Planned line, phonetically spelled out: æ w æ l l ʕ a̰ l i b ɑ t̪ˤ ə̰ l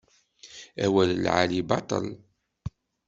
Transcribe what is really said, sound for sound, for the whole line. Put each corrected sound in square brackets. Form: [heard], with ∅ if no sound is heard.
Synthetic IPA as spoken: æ w æ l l ʕ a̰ l i b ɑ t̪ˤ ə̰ l